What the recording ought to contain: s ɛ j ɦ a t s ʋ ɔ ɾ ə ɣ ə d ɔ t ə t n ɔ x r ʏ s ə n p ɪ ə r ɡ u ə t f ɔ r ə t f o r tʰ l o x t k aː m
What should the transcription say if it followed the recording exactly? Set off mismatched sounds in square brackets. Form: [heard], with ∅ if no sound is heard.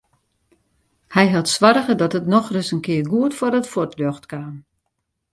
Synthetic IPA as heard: [h] ɛ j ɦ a t s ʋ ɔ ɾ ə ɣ ə d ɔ t ə t n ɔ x r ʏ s ə n [k] ɪ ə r ɡ u ə t f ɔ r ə t f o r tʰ l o x t k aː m